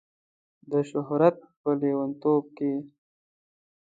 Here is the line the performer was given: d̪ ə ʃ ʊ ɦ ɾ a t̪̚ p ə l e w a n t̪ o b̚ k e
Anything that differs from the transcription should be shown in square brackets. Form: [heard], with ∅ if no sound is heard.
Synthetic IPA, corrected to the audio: d̪ ə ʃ ʊ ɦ ɾ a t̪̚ p ə l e w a n t̪ o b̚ k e